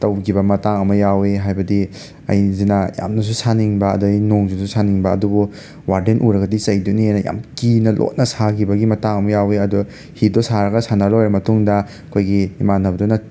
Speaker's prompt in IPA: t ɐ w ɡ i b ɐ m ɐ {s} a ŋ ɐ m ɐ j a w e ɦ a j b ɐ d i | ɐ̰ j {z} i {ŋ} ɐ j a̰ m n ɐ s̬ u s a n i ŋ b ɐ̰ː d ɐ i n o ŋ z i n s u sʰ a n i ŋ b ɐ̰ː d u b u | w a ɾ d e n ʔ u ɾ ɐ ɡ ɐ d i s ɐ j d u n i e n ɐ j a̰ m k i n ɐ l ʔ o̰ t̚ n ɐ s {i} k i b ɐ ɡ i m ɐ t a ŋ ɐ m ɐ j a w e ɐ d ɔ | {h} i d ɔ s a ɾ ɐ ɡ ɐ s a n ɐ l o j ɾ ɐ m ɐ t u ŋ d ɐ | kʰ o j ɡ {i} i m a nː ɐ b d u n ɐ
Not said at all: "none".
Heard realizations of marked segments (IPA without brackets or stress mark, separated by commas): t, z, n, a, h, i